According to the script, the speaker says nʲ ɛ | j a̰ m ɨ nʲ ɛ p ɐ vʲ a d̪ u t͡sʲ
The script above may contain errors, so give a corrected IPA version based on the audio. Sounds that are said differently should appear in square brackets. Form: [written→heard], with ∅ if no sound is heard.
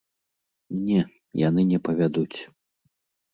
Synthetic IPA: nʲ ɛ | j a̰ [m→n] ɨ nʲ ɛ p ɐ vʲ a d̪ u t͡sʲ